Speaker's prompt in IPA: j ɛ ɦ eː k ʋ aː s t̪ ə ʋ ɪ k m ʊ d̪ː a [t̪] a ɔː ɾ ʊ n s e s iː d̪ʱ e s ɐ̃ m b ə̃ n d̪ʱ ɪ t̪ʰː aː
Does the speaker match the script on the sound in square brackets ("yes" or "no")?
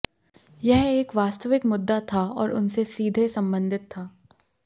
no